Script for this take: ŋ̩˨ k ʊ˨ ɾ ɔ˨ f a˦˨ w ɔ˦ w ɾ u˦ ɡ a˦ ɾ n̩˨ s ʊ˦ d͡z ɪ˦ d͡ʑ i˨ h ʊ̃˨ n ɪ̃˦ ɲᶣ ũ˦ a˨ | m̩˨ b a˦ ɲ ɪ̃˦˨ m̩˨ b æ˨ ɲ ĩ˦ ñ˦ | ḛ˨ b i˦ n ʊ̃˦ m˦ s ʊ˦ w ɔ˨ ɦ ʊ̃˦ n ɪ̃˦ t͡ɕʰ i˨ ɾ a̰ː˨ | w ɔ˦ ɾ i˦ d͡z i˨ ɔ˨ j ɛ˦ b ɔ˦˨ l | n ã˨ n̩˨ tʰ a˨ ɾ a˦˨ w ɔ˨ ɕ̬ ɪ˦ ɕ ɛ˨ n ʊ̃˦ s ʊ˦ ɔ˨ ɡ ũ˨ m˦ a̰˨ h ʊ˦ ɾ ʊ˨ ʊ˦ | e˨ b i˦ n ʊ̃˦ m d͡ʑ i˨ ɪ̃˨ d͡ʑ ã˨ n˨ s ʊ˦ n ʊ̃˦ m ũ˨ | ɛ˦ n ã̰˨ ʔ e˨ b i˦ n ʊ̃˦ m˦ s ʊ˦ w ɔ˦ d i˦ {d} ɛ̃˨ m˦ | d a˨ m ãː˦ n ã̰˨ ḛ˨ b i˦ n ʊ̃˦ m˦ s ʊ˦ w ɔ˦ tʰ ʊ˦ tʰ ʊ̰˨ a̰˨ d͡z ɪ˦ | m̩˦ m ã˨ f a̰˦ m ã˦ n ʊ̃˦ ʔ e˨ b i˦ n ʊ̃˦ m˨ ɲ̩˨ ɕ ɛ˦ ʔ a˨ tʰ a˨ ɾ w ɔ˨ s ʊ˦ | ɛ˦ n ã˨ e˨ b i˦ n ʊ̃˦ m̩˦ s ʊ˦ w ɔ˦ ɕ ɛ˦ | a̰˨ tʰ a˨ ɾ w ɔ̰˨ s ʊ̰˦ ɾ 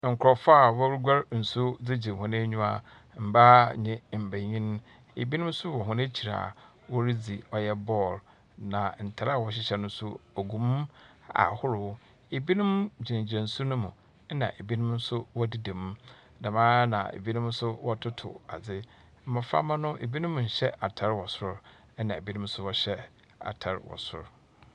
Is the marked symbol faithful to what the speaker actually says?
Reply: yes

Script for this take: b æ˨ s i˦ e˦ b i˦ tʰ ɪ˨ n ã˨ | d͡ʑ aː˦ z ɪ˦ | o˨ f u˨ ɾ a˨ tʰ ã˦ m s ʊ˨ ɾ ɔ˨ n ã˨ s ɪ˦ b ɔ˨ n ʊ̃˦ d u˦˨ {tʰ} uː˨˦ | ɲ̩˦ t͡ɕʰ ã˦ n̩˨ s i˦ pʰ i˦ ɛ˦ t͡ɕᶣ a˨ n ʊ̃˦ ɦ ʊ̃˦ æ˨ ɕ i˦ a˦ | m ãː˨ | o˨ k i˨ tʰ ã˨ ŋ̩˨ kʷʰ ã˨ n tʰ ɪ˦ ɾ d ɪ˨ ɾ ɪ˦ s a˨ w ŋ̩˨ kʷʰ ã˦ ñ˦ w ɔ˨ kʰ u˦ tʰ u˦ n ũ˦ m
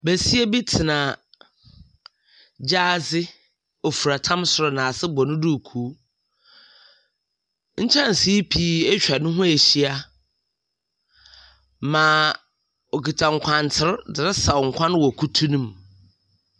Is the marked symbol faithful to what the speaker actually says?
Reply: no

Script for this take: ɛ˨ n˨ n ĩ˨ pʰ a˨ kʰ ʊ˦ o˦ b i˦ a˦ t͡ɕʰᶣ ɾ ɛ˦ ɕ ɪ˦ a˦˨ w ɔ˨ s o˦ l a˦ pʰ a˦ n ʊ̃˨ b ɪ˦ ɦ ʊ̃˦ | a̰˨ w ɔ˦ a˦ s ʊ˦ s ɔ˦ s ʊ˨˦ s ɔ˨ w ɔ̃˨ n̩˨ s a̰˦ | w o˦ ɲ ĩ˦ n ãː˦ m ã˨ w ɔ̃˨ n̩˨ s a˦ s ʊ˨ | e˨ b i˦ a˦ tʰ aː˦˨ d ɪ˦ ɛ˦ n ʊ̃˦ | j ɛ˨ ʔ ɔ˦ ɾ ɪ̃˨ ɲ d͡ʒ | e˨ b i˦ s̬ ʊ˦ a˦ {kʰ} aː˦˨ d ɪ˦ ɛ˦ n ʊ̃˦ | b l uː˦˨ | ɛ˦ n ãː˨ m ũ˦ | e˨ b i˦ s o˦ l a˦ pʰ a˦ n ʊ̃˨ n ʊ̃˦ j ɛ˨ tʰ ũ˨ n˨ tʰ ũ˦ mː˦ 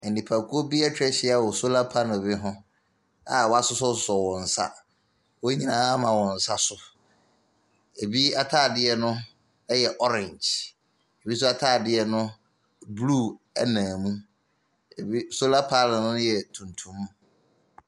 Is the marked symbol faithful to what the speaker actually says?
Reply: no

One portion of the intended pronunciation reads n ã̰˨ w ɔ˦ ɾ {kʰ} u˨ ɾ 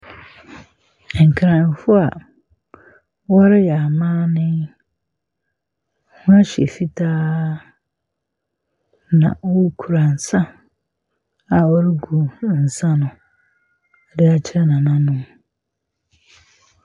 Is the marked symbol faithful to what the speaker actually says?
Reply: yes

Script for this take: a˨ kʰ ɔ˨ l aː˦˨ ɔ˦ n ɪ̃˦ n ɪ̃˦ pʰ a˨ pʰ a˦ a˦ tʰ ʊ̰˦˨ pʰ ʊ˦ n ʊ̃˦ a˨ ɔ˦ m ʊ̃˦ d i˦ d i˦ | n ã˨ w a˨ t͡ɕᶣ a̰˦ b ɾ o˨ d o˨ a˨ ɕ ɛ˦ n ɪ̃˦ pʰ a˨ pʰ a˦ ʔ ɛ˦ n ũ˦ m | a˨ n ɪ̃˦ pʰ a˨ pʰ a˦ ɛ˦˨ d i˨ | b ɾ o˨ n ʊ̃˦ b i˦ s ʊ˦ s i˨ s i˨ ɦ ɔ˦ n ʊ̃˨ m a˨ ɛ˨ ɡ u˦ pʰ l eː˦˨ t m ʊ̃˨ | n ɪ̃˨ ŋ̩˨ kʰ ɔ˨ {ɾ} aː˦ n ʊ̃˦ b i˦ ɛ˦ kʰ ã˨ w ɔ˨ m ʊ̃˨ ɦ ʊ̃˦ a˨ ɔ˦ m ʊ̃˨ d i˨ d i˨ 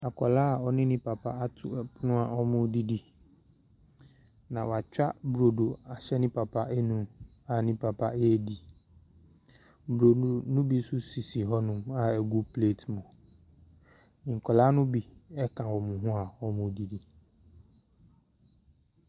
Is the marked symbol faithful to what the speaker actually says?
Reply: no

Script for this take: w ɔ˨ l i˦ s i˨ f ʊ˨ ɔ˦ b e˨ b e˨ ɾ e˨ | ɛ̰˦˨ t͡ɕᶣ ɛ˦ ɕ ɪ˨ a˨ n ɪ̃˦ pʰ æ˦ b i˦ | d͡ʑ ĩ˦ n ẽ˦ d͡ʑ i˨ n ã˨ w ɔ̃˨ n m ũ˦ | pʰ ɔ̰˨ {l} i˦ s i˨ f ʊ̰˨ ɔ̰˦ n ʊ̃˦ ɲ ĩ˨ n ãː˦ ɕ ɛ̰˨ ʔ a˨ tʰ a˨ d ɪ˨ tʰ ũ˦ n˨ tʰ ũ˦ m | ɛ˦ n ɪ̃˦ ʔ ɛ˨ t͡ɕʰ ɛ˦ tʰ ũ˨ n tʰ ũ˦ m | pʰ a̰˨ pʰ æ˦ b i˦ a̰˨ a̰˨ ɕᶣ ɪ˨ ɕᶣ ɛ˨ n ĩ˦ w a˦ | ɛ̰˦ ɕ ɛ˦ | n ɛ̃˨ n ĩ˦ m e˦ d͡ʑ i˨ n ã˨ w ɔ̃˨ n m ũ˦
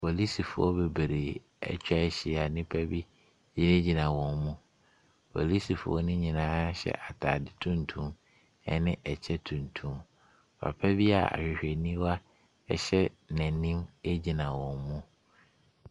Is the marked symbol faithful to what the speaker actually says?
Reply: yes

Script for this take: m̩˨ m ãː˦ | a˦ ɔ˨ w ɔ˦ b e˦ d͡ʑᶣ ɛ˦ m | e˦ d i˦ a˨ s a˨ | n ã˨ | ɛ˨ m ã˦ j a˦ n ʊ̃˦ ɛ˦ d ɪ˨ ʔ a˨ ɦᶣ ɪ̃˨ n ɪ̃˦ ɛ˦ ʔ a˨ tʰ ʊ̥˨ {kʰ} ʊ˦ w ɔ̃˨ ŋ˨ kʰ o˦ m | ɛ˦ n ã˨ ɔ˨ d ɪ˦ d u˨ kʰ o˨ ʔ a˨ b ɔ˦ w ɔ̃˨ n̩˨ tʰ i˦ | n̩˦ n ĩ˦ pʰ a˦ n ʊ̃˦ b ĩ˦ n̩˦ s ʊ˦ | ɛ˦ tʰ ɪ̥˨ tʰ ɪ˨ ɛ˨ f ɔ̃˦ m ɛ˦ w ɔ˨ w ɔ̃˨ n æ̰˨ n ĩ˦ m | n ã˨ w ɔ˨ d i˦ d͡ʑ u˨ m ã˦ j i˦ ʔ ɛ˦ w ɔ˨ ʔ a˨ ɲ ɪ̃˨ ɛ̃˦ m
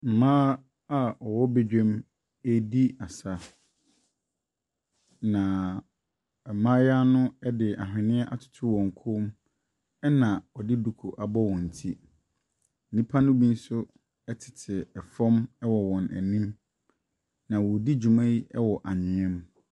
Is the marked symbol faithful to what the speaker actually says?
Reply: no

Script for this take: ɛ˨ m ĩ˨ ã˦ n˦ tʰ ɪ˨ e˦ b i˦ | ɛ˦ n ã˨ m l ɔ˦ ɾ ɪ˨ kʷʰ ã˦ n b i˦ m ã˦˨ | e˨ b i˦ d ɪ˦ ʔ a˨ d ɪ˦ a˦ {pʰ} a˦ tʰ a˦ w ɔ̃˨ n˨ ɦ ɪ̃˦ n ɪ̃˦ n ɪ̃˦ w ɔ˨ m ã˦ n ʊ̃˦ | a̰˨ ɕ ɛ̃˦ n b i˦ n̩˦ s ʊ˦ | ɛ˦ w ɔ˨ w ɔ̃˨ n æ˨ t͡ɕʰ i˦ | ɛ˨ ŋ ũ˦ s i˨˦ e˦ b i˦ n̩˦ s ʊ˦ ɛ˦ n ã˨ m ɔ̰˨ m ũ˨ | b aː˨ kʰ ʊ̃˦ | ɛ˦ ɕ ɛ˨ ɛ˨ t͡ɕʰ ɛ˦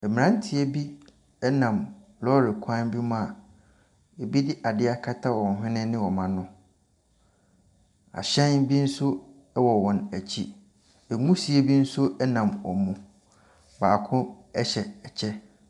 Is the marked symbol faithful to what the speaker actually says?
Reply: no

